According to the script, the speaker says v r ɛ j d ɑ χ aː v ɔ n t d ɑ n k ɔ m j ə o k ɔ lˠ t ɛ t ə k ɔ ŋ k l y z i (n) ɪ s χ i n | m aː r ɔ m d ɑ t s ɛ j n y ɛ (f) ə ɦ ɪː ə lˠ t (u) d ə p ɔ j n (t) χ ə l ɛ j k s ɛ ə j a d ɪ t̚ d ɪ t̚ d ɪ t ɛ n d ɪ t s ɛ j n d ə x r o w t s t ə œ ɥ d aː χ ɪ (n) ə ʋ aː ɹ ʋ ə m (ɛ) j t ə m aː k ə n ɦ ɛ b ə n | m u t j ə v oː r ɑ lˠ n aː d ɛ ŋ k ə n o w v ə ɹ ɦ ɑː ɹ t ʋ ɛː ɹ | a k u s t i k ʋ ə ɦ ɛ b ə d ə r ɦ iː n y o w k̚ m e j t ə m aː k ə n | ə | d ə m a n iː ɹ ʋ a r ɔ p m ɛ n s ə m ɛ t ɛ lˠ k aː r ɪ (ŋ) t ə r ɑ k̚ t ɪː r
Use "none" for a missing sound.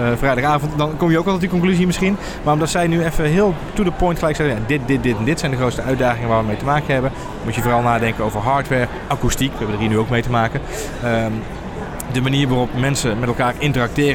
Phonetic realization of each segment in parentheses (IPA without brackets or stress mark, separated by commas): m, f, u, t, ŋ, e, n